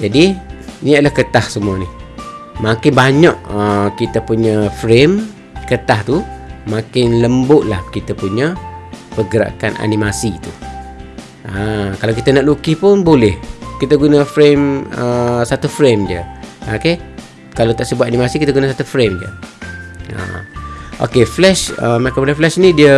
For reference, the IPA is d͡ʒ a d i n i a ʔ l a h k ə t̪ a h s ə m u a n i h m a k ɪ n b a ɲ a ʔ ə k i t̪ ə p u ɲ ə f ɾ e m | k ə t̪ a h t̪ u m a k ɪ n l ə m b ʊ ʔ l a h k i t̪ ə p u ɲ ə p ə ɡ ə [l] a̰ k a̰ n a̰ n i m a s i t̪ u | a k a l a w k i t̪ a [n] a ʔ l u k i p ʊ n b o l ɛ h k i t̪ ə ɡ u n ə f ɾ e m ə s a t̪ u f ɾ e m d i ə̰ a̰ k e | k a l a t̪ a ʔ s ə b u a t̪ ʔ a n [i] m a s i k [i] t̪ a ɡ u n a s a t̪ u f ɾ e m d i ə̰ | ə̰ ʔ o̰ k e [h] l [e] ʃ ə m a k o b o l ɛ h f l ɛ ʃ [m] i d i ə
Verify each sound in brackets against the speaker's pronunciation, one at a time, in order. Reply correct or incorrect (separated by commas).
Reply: incorrect, correct, correct, correct, incorrect, incorrect, incorrect